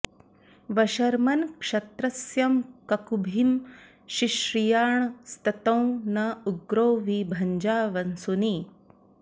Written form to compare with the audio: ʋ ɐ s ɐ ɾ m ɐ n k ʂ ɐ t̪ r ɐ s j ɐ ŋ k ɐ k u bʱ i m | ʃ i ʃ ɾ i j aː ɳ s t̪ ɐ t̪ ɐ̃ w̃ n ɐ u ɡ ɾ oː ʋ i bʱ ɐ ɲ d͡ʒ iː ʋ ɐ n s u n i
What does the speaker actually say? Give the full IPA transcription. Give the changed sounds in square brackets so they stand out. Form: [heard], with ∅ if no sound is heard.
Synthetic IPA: ʋ ɐ [ʃ] ɐ ɾ m ɐ n k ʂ ɐ t̪ [ɾ] ɐ s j ɐ [m] k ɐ k u bʱ i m | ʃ i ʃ ɾ i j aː ɳ s t̪ ɐ t̪ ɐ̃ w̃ n ɐ u ɡ ɾ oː ʋ i bʱ ɐ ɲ d͡ʒ [aː] ʋ ɐ n s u n i